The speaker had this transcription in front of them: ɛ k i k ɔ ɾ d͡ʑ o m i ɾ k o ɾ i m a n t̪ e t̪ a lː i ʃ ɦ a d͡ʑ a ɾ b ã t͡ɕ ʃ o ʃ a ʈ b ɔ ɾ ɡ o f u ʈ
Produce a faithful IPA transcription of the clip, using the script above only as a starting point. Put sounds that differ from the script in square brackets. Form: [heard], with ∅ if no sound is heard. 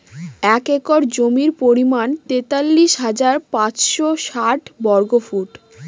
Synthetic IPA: ɛ k [e] k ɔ ɾ d͡ʑ o m i ɾ [p] o ɾ i m a n t̪ e t̪ a lː i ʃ ɦ a d͡ʑ a ɾ [p] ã t͡ɕ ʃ o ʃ a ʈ b ɔ ɾ ɡ o f u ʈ